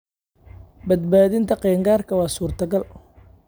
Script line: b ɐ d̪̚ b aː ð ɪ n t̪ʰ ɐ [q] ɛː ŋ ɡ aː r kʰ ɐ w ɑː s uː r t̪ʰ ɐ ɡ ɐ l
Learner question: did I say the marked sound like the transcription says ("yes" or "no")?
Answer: yes